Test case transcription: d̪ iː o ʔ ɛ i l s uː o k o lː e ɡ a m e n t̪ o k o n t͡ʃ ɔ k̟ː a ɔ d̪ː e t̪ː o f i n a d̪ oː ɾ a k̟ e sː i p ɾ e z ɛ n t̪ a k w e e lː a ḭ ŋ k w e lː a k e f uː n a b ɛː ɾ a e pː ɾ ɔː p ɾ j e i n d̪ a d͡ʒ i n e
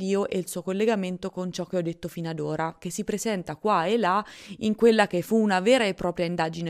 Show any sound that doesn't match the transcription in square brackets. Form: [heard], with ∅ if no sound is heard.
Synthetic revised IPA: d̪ iː o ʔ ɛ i l s uː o k o lː e ɡ a m e n t̪ o k o n t͡ʃ ɔ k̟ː [e] ɔ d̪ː e t̪ː o f i n a d̪ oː ɾ a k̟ e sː i p ɾ e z ɛ n t̪ a k w [a] e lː a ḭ ŋ k w e lː a k e f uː n a [v] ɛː ɾ a e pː ɾ ɔː p ɾ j [a] i n d̪ a d͡ʒ i n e